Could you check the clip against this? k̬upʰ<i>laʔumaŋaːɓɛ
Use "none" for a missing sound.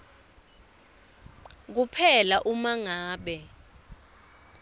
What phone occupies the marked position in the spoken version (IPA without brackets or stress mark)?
ɛ